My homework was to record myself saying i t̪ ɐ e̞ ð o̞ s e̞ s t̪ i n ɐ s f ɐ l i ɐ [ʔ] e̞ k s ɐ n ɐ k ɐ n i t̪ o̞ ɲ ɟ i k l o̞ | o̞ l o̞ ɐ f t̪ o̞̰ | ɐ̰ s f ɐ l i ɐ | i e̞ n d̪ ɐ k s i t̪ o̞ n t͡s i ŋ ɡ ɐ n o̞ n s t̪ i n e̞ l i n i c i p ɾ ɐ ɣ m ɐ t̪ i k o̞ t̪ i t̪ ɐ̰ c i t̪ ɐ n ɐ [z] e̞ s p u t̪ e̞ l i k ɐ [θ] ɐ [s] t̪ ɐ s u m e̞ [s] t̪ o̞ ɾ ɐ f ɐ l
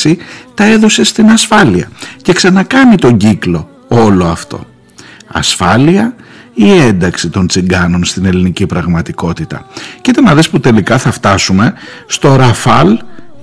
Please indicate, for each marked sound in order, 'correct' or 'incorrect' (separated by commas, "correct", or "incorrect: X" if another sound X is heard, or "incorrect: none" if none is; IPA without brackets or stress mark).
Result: incorrect: c, incorrect: ð, correct, incorrect: f, correct